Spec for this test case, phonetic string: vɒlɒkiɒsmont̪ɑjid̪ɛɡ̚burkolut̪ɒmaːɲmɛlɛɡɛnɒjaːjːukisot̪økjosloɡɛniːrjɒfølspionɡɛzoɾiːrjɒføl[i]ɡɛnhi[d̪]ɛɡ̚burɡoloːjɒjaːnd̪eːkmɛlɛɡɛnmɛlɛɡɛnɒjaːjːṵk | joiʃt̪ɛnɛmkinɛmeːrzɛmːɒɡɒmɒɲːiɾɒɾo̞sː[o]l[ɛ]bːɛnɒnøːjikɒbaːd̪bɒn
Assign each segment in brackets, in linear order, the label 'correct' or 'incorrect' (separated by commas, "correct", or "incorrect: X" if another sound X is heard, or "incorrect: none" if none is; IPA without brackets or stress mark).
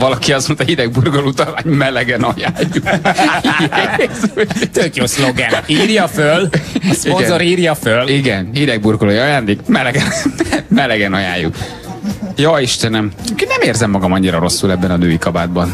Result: correct, correct, incorrect: u, correct